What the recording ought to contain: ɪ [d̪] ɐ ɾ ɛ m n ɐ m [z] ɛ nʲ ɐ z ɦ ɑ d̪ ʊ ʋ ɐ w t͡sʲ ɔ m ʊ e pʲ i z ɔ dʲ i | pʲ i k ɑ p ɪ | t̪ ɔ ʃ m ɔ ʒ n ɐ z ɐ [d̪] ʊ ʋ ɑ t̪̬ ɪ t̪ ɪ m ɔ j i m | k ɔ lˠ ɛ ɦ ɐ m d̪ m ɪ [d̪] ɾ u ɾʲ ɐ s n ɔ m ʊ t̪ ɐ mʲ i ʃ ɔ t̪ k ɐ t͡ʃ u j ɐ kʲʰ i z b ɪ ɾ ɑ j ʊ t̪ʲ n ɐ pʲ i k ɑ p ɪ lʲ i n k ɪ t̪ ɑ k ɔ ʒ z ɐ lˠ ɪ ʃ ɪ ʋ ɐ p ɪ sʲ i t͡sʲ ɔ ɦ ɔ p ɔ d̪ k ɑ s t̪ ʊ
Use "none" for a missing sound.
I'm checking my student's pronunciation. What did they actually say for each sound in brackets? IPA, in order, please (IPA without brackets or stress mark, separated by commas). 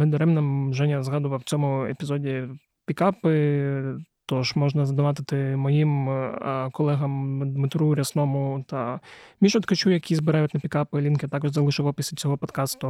d̪, ʒ, d̪, t̪